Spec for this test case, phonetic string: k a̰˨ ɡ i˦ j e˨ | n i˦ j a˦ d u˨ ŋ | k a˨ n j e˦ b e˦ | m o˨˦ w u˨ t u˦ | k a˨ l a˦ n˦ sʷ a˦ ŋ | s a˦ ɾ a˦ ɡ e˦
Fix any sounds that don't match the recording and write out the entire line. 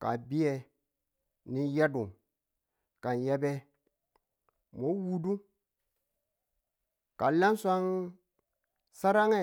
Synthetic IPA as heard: k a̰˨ b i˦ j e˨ | n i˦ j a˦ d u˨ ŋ | k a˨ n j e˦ b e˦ | m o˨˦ w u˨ d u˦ | k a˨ l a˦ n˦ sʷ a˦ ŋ | s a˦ ɾ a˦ ŋ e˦